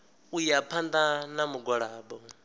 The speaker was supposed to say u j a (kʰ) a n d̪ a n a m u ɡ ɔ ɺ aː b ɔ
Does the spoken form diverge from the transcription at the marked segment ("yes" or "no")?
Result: yes